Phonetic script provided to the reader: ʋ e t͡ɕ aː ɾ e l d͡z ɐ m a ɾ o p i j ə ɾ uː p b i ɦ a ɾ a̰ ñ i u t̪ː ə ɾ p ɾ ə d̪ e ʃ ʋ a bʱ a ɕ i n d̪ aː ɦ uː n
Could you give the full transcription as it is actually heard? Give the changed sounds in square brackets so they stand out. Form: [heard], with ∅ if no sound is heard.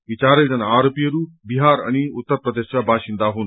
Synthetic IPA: ʋ [i] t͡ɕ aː ɾ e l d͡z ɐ [n] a ɾ o p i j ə ɾ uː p b i ɦ a ɾ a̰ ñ i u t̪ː ə ɾ p ɾ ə d̪ e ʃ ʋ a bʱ a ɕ i n d̪ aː ɦ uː n